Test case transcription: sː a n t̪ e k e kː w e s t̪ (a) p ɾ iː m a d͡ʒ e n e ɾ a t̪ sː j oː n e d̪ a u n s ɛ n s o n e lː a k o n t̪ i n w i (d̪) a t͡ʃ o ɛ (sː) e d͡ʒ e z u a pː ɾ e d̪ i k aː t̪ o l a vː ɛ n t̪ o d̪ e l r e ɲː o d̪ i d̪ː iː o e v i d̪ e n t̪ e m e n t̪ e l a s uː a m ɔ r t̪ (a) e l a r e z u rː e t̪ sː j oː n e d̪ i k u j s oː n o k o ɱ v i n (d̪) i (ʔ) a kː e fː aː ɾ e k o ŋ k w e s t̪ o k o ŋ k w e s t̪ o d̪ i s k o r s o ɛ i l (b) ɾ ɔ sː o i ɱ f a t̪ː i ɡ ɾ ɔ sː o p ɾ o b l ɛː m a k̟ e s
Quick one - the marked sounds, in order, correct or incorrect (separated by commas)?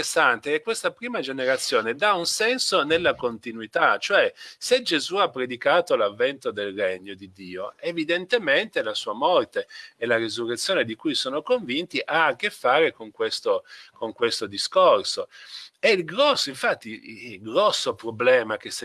correct, incorrect, incorrect, incorrect, incorrect, correct, incorrect